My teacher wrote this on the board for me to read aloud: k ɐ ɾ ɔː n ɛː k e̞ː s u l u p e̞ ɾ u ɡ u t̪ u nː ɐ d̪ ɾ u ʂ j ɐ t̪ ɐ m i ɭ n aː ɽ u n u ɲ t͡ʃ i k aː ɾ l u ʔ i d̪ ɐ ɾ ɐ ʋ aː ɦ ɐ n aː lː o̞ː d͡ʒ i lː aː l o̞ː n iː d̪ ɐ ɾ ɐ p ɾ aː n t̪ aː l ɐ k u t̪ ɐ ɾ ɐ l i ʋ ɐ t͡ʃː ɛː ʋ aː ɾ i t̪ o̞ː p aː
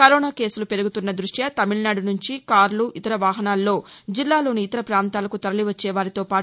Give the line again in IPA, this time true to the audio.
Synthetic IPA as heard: k ɐ ɾ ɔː n aː k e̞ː s u l u p e̞ ɾ u ɡ u t̪ u nː ɐ d̪ ɾ u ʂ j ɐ t̪ ɐ m i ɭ n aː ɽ u n u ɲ t͡ʃ i k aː ɾ l u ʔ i t̪ ɐ ɾ ɐ ʋ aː ɦ ɐ n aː lː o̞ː d͡ʒ i lː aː l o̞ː n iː t̪ ɐ ɾ ɐ p ɾ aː n t̪ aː l ɐ k u t̪ ɐ ɾ ɐ l i ʋ ɐ t͡ʃː ɛː ʋ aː ɾ i t̪ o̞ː p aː